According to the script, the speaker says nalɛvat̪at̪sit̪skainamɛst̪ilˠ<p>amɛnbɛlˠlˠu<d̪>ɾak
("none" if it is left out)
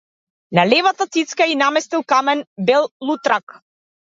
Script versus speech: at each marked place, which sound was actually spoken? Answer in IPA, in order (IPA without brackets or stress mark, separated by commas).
k, t̪